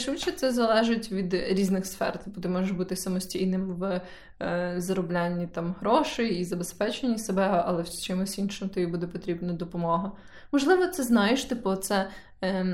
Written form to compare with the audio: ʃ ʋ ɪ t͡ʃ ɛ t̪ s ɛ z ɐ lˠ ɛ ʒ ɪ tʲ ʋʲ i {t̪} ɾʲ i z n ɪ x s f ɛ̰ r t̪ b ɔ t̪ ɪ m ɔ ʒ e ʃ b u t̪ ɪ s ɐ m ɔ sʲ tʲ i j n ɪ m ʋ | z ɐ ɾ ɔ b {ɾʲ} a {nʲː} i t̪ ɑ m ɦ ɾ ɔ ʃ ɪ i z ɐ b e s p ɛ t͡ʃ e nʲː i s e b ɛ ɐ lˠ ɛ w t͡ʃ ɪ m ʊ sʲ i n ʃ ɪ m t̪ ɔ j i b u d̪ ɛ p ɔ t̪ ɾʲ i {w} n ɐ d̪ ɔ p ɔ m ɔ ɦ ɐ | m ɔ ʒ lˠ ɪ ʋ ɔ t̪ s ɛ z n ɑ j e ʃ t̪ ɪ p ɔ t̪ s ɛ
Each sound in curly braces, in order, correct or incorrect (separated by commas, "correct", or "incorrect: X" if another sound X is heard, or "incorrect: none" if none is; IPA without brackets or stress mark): incorrect: d̪, incorrect: lʲ, correct, incorrect: b